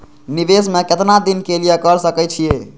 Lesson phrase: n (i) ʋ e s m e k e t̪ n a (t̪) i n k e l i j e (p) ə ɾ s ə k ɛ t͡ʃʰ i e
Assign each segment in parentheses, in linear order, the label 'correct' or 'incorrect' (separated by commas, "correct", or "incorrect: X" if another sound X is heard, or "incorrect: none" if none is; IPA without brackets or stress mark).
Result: correct, incorrect: d̪, incorrect: k